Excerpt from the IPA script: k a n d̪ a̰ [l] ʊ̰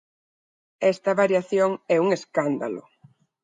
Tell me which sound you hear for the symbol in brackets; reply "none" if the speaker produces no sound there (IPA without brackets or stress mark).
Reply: l